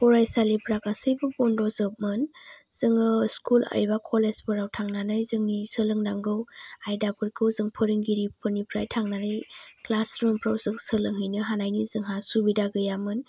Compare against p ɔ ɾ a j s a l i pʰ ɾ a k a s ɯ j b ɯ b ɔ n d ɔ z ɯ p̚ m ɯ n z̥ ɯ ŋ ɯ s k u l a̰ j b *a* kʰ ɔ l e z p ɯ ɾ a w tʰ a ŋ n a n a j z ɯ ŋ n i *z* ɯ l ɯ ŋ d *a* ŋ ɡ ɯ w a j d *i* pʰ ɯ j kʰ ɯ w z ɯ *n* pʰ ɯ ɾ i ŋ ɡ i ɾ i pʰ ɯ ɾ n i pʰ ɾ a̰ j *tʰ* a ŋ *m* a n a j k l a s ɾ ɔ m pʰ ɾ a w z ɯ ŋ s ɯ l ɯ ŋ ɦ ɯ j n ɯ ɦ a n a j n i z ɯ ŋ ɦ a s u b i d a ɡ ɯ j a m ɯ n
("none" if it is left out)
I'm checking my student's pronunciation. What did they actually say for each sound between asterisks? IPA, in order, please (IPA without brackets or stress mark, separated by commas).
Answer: a, s, a, a, ŋ, tʰ, n